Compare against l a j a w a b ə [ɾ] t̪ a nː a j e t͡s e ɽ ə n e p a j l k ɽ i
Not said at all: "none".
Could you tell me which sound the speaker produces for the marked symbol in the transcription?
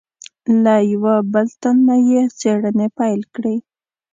l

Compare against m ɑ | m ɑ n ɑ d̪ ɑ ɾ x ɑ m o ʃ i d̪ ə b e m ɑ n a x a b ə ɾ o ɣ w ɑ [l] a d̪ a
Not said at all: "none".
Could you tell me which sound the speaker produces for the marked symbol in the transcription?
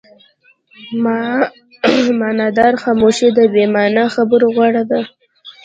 ɽ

